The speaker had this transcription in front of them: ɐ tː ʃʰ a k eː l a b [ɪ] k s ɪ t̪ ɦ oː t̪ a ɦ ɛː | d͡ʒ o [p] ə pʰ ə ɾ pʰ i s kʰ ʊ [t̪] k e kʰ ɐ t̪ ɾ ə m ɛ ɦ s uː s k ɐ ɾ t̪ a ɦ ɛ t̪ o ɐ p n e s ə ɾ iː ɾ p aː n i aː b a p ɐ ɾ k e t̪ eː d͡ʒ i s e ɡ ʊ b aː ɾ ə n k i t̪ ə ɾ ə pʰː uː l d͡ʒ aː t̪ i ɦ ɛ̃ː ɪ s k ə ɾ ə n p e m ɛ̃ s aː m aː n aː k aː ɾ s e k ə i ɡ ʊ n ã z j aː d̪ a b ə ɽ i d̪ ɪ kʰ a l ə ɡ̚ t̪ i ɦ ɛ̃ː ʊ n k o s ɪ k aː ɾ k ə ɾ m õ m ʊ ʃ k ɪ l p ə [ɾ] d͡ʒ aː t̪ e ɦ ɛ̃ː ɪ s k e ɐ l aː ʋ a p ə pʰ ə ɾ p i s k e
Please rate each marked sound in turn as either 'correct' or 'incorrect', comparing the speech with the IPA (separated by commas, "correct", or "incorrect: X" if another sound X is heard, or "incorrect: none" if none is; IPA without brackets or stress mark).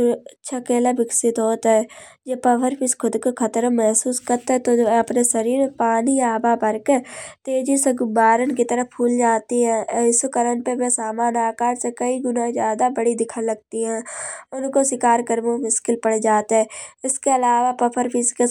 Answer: correct, correct, incorrect: d̪, incorrect: ɽ